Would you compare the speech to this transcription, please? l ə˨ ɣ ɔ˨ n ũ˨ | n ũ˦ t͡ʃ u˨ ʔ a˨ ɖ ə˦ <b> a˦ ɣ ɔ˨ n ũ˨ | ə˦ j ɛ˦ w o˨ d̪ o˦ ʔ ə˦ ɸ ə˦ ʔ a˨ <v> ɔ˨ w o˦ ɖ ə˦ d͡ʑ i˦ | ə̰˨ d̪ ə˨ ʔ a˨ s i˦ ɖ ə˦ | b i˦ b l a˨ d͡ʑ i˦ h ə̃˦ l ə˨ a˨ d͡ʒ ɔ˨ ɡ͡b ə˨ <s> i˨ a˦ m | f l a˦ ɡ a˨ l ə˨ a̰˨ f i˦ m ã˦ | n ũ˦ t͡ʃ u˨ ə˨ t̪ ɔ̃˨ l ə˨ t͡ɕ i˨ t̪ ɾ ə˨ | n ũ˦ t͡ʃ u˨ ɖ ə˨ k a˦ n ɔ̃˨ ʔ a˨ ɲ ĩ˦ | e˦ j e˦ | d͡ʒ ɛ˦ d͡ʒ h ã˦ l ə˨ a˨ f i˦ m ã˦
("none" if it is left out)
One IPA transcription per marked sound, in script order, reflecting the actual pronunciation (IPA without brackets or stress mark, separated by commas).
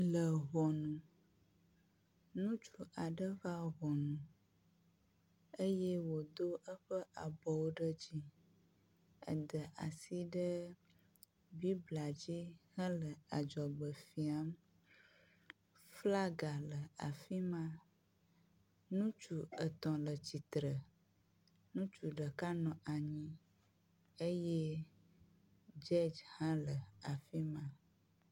v, b, f